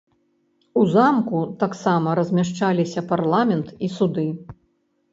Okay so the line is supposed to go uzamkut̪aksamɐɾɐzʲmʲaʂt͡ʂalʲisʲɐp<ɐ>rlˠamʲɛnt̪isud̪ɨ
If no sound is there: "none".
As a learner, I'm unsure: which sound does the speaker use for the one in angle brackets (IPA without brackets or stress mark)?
a